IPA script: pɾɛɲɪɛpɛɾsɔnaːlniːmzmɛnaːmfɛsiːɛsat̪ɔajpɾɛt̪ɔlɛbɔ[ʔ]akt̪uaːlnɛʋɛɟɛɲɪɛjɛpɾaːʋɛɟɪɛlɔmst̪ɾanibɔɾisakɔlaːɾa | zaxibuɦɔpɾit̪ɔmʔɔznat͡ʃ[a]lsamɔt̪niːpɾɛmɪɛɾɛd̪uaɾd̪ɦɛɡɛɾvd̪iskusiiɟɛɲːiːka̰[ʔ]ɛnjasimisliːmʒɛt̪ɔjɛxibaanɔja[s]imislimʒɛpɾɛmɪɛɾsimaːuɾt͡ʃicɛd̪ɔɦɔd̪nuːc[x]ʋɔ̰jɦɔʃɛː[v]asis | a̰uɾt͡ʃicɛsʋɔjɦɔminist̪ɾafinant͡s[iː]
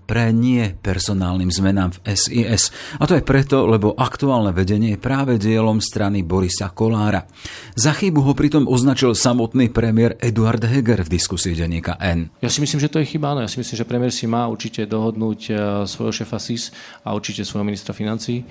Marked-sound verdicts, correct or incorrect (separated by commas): correct, incorrect, correct, correct, incorrect, incorrect, correct